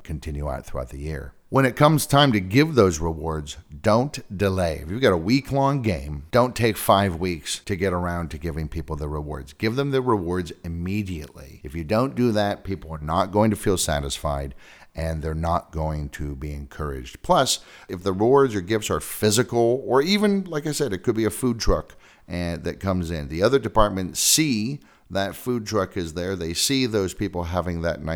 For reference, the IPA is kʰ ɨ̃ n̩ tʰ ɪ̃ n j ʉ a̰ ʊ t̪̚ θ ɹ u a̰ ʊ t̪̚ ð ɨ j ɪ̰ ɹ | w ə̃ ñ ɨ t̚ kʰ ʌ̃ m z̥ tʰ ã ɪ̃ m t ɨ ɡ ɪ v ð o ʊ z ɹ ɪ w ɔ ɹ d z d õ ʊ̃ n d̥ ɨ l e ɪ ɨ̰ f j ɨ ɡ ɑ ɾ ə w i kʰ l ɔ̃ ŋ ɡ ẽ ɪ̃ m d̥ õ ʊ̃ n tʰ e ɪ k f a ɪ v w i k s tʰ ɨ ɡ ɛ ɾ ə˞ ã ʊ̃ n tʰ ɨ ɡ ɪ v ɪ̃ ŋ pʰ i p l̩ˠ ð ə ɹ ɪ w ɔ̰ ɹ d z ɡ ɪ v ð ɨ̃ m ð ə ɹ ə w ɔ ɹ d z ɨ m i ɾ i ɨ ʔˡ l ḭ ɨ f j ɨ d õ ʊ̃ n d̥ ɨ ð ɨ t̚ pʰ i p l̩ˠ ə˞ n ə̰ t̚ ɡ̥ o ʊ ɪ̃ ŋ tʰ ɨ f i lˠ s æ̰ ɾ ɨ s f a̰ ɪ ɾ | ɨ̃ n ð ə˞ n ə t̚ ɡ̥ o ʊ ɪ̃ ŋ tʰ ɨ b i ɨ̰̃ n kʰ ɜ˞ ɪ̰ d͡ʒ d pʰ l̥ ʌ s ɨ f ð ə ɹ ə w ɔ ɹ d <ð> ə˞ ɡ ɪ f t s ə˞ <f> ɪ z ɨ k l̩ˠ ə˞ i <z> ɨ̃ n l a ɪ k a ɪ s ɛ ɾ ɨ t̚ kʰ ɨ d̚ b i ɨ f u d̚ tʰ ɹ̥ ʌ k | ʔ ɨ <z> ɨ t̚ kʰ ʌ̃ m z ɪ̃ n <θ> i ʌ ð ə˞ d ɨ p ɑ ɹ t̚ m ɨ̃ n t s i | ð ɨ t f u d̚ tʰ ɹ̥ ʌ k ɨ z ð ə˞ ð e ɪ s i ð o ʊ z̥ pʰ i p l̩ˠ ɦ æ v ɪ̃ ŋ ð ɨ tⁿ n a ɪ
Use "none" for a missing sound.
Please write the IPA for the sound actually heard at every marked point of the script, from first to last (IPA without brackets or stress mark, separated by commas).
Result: z, f, v, ð, ð